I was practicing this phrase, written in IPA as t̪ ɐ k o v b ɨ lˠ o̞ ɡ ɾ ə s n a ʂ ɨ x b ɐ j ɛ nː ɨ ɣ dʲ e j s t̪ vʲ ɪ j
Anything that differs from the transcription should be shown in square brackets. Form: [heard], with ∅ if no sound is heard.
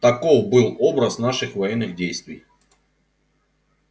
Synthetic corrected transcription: t̪ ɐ k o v b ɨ lˠ o̞ [b] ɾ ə s n a ʂ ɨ x [v] ɐ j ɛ nː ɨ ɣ dʲ e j s t̪ vʲ ɪ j